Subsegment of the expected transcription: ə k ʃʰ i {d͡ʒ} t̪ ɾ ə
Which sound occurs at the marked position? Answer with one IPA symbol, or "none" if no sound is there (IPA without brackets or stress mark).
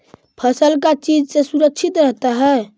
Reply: none